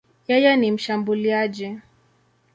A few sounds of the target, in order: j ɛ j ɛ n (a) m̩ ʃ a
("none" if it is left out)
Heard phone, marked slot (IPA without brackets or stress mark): i